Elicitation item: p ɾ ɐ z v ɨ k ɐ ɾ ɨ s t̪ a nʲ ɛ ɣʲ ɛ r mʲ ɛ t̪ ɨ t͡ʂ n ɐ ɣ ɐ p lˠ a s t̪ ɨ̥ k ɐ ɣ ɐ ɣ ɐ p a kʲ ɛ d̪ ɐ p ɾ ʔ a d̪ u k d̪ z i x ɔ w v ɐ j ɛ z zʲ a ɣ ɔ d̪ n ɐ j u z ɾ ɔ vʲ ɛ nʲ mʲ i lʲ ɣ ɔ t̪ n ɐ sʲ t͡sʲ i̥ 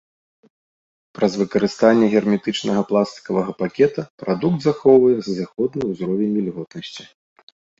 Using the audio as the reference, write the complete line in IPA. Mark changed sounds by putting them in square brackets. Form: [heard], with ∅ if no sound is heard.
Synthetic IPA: p ɾ ɐ z v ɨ k ɐ ɾ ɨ s t̪ a [nʲː] ɛ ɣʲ ɛ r mʲ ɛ t̪ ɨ t͡ʂ n ɐ ɣ ɐ p lˠ a s t̪ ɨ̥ k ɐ [v] ɐ ɣ ɐ p a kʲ ɛ [t̪] ɐ p ɾ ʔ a d̪ u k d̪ z [a] x ɔ w v ɐ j ɛ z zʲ a [x] ɔ d̪ n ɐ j u z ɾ ɔ vʲ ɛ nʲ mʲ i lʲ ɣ ɔ t̪ n ɐ sʲ t͡sʲ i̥